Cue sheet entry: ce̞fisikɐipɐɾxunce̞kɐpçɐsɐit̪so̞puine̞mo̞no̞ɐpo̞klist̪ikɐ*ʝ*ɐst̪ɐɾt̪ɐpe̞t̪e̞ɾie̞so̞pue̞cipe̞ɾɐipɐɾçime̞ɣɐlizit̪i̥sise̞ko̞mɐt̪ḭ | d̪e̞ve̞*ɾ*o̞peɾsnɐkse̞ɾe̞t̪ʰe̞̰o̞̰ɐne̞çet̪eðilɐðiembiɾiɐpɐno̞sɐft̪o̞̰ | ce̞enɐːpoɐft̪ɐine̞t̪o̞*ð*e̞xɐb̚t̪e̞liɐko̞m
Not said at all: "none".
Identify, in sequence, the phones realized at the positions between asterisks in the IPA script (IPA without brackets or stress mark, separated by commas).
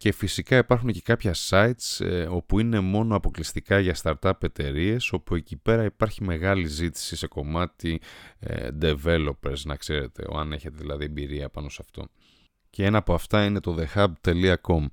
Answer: ʝ, l, ð